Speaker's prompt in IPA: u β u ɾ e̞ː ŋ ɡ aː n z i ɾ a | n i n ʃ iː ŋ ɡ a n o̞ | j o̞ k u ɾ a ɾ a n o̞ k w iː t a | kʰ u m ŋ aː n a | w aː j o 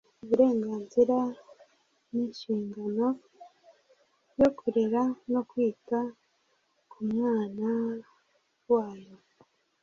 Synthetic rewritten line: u β u ɾ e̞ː ŋ ɡ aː n z i ɾ a | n i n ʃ iː ŋ ɡ a n o̞ | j o̞ k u ɾ e ɾ a n o̞ k w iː t a | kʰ u m ŋ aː n a | w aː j o